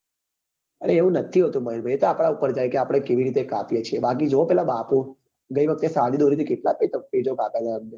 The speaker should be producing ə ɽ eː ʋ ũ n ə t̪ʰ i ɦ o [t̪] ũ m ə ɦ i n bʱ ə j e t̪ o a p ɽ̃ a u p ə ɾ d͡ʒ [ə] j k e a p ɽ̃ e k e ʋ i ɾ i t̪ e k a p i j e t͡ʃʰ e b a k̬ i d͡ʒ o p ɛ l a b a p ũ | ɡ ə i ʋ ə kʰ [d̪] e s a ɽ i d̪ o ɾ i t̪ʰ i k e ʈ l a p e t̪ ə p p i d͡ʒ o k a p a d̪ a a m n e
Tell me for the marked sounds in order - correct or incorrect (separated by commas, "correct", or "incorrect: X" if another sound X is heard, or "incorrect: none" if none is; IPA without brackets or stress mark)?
correct, incorrect: a, incorrect: t̪